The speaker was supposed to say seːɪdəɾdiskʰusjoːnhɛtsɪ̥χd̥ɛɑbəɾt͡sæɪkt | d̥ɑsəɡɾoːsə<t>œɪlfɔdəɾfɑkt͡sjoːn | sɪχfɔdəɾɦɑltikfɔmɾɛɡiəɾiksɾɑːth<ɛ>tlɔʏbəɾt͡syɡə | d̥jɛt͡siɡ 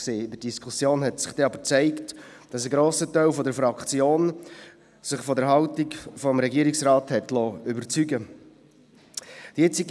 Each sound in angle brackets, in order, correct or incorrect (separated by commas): correct, correct